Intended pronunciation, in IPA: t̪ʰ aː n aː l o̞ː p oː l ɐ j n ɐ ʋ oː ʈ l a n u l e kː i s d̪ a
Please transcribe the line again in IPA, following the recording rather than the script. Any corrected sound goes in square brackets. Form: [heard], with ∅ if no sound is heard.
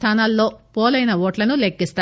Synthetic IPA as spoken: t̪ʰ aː n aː [lː] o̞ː p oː l ɐ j n ɐ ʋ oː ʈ l [ɐ] n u l e kː i s [t̪] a